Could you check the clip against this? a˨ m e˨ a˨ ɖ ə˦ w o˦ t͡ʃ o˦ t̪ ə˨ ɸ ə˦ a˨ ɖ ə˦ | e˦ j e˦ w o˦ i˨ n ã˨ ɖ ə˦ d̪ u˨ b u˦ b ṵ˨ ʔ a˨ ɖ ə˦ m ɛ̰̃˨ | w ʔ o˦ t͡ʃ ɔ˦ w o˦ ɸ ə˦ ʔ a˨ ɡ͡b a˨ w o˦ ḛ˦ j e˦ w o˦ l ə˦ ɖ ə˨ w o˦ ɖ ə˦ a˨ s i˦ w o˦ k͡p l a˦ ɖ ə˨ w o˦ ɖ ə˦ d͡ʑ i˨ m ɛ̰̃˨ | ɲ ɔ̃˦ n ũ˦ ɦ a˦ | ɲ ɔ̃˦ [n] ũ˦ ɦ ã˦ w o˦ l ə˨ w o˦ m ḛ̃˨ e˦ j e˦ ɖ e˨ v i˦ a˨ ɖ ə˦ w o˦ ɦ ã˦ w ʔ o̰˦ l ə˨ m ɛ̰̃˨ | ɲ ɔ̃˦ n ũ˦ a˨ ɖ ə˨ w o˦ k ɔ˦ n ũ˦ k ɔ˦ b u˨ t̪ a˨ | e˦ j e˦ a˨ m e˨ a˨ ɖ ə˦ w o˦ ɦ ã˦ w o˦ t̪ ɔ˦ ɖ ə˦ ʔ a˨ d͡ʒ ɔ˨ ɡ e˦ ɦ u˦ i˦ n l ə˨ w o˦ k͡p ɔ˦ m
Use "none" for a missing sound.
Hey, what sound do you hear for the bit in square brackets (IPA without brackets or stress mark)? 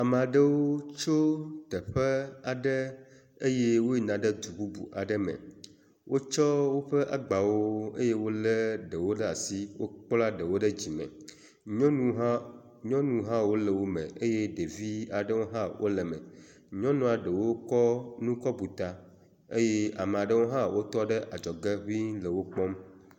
n